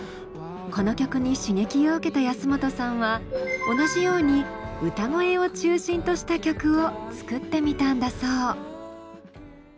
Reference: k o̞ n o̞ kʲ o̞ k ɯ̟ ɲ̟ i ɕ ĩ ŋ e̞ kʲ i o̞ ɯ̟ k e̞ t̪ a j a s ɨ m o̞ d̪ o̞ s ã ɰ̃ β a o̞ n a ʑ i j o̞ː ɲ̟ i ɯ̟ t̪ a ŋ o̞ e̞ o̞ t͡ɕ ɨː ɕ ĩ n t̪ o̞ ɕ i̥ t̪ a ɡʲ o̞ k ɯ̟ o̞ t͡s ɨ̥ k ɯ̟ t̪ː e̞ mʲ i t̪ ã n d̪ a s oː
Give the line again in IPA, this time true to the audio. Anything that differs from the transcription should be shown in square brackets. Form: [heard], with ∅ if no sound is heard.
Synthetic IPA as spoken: k o̞ n o̞ kʲ o̞ k ɯ̟ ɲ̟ i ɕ [i] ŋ e̞ kʲ i o̞ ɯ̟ k e̞ t̪ a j a s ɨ m o̞ [t̪] o̞ s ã ɰ̃ β a o̞ n a ʑ i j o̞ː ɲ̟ i ɯ̟ t̪ a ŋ o̞ e̞ o̞ t͡ɕ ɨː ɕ ĩ n t̪ o̞ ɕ i̥ t̪ a [kʲ] o̞ k ɯ̟ o̞ t͡s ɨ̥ k ɯ̟ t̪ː e̞ mʲ i t̪ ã n d̪ a s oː